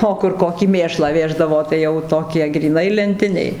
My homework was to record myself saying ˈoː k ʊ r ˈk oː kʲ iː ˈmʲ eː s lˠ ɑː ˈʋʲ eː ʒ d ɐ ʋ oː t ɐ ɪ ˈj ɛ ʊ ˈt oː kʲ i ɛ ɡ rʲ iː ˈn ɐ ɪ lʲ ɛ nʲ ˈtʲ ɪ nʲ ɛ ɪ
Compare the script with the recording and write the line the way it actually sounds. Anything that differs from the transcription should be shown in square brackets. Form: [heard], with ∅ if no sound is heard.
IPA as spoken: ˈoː k ʊ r ˈk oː kʲ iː ˈmʲ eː [ʃ] lˠ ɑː ˈʋʲ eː ʒ d ɐ ʋ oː t ɐ ɪ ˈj ɛ ʊ ˈt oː kʲ i ɛ ɡ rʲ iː ˈn ɐ ɪ lʲ ɛ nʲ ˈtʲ ɪ nʲ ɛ ɪ

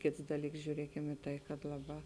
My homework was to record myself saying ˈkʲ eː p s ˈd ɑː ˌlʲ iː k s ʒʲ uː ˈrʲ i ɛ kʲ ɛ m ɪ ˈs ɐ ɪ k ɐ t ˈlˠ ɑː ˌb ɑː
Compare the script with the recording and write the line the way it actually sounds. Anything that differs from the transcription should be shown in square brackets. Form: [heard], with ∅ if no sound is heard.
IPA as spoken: ˈkʲ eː [t] s ˈd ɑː ˌlʲ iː k s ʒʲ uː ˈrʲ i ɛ kʲ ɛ m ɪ [ˈt] ɐ ɪ k ɐ t ˈlˠ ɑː ˌb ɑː

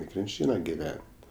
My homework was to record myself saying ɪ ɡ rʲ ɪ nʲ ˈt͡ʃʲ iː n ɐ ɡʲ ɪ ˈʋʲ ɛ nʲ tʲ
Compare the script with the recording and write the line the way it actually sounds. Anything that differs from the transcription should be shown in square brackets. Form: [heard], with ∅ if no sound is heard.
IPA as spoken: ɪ [k] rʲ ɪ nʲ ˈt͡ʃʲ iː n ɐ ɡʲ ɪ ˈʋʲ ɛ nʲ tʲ

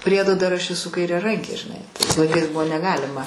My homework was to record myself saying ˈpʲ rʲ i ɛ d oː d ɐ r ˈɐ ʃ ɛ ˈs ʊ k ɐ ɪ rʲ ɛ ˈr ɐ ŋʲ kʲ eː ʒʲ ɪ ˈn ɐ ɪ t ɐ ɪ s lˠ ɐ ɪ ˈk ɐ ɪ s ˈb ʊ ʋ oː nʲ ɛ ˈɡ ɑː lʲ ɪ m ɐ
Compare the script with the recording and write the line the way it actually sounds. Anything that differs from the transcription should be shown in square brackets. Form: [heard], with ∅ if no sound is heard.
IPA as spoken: ˈpʲ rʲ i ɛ d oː d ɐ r ˈɐ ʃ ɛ ˈs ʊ k ɐ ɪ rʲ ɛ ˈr ɐ ŋʲ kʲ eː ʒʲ ɪ ˈn ɐ ɪ t ɐ ɪ s lˠ ɐ ɪ ˈk ɐ ɪ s ˈb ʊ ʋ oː nʲ ɛ ˈɡ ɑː lʲ ɪ m ɐ

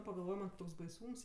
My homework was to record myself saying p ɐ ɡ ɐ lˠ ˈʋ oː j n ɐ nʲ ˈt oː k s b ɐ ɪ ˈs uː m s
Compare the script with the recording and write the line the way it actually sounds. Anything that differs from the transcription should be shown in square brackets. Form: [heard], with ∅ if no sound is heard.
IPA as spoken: p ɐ ɡ ɐ lˠ ˈʋ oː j [m] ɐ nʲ ˈt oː k s b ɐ ɪ ˈs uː m s

